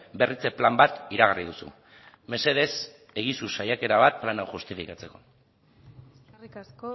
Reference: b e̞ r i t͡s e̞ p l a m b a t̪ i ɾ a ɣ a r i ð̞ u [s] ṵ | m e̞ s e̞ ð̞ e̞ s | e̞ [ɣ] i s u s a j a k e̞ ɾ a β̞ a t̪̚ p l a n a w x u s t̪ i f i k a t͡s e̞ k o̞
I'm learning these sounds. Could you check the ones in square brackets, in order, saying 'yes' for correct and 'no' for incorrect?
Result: yes, yes

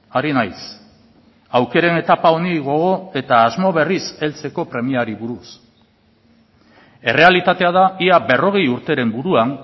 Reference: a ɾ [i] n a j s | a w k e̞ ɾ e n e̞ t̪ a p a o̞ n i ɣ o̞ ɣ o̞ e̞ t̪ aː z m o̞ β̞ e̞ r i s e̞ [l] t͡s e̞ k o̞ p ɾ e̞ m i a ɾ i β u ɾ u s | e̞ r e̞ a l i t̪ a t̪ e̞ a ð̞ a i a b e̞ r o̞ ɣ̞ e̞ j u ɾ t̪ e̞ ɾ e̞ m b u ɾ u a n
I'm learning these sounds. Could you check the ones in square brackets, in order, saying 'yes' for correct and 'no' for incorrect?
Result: yes, yes

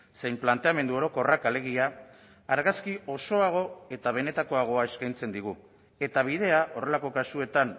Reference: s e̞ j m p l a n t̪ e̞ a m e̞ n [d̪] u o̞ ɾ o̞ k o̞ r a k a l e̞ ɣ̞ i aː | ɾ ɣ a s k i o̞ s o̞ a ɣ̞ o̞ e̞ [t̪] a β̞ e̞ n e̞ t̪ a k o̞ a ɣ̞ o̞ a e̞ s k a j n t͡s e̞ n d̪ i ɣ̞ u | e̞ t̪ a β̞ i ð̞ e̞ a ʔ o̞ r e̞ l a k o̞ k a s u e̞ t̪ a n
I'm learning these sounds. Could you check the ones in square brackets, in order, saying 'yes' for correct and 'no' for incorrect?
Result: yes, yes

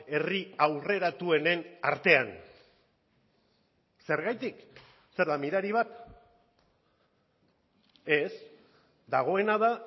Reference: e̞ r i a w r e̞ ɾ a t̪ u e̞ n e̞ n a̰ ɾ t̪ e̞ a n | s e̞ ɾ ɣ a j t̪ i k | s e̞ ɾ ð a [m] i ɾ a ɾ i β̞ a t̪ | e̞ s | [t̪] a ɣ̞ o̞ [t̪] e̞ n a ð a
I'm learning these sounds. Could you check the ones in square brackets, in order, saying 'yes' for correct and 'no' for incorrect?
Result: yes, no, no

